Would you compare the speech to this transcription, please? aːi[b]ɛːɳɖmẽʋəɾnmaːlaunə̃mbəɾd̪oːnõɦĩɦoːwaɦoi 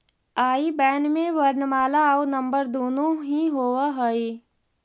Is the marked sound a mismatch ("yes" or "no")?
no